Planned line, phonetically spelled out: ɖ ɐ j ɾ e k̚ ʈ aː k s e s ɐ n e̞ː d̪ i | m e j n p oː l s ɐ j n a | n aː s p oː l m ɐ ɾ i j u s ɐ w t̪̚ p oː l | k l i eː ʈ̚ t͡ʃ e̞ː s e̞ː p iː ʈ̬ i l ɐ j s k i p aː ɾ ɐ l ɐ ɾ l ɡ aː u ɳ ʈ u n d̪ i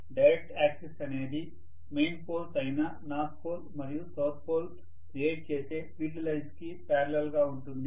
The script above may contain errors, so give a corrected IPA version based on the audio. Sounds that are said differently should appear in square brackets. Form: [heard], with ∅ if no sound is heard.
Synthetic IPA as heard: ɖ ɐ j ɾ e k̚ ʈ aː k s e s ɐ n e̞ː d̪ i | m e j n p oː l s ɐ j n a | n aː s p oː l m ɐ ɾ i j u s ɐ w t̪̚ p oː l | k [ɾ] i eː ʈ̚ t͡ʃ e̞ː s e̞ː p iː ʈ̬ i l ɐ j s k i p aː ɾ ɐ l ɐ [∅] l ɡ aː u ɳ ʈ u n d̪ i